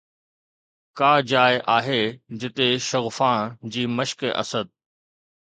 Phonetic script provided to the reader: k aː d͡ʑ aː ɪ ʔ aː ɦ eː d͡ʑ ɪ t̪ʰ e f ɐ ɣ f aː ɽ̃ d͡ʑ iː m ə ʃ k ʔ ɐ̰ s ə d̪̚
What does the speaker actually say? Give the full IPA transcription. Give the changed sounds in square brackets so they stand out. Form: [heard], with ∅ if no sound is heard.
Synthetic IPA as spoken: k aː d͡ʑ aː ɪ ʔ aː ɦ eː d͡ʑ ɪ [t̪] e [ʃ] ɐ ɣ f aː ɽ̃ d͡ʑ iː m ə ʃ k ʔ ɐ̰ s ə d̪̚